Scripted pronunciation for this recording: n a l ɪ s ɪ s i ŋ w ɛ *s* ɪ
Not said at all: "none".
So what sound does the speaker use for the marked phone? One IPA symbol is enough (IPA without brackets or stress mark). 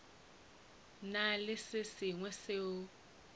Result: s